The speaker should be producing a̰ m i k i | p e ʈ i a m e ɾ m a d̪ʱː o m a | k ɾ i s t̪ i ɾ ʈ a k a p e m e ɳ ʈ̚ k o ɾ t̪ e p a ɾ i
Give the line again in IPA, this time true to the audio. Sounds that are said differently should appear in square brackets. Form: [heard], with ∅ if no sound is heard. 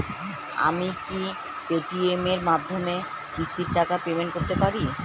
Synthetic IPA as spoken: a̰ m i k i | p e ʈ i [e] m e ɾ m a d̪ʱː o m [e] | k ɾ i s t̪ i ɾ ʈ a k a p e m e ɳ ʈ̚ k o ɾ t̪ e p a ɾ i